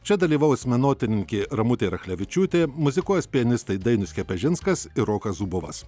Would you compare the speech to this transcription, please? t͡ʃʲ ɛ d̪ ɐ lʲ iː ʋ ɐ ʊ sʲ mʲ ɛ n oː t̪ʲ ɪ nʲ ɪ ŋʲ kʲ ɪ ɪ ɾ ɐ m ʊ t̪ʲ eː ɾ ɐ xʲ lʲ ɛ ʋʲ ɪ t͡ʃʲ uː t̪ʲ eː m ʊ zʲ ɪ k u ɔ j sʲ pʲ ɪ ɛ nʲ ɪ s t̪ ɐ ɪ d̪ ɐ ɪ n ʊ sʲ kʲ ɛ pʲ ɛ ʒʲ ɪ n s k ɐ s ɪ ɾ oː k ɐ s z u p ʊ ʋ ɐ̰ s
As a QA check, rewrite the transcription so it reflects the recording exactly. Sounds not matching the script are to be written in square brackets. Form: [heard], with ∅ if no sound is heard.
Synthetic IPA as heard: t͡ʃʲ ɛ d̪ ɐ lʲ iː ʋ ɐ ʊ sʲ mʲ ɛ n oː t̪ʲ ɪ nʲ ɪ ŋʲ kʲ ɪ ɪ ɾ ɐ m ʊ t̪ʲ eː ɾ ɐ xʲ lʲ ɛ ʋʲ ɪ t͡ʃʲ uː t̪ʲ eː m ʊ zʲ ɪ k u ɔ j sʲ pʲ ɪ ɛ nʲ ɪ s t̪ ɐ ɪ d̪ ɐ ɪ n ʊ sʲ kʲ ɛ pʲ ɛ ʒʲ ɪ n s k ɐ s ɪ ɾ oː k ɐ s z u [b] ʊ ʋ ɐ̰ s